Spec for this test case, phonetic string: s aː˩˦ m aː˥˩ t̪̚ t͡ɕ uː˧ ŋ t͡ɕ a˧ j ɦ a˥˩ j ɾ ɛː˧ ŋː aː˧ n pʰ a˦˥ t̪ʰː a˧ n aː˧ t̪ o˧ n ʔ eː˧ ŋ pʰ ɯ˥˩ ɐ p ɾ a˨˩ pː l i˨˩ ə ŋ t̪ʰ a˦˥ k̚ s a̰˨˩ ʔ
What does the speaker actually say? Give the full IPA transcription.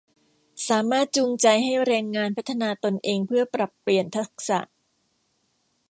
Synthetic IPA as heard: s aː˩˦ m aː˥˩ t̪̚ t͡ɕ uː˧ ŋ t͡ɕ a˧ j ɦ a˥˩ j ɾ ɛː˧ ŋː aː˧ n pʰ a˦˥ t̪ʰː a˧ n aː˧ t̪ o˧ n ʔ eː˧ ŋ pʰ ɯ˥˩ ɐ p ɾ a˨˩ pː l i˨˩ ə n t̪ʰ a˦˥ k̚ s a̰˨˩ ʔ